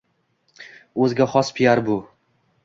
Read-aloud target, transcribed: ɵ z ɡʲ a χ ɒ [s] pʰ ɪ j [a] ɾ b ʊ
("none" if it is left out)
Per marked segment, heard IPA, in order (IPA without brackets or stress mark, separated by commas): s, a